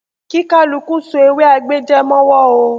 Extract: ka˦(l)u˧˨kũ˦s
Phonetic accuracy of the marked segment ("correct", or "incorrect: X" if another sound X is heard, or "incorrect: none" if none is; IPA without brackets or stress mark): correct